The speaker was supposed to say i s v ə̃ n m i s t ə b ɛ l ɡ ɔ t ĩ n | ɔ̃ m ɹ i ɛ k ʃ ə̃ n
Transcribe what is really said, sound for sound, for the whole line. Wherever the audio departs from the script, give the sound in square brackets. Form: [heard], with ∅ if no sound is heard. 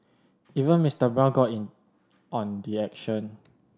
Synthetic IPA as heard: i [∅] v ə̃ n m i s t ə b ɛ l ɡ ɔ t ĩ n | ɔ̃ [n] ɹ i ɛ k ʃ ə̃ n